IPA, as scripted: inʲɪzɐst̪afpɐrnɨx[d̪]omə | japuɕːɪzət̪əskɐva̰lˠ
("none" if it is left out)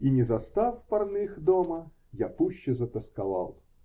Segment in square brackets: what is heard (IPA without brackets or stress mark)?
d̪